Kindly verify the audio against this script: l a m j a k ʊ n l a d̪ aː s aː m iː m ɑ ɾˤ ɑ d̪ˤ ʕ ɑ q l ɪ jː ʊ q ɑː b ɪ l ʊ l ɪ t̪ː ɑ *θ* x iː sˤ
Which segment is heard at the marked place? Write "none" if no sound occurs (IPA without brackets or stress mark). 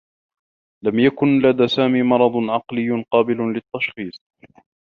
ʃ